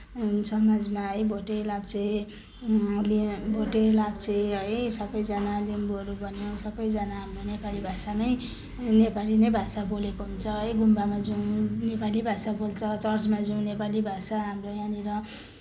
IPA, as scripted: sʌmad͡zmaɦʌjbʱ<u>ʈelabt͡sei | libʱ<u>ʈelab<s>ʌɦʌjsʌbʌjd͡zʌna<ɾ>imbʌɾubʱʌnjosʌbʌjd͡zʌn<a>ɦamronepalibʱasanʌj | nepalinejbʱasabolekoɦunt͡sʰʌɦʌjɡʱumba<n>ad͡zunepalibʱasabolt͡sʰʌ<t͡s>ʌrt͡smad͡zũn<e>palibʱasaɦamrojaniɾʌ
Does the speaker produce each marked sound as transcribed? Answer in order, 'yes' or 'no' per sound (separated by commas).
no, no, no, no, yes, no, yes, yes